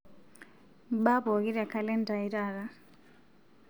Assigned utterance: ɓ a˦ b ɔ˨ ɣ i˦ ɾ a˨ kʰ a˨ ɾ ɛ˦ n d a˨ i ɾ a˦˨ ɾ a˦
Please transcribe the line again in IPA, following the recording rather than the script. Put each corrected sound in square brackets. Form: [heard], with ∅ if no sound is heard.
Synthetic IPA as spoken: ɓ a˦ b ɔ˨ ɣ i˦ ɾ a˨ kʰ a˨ [l] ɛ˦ n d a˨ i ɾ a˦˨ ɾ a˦